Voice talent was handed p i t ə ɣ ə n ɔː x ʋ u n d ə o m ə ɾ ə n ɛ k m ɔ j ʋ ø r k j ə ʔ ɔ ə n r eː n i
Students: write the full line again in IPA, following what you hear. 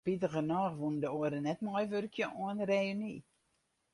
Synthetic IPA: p i t ə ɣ ə n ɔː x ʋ u n d ə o ə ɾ ə n ɛ t m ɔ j ʋ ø r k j ə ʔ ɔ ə n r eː n i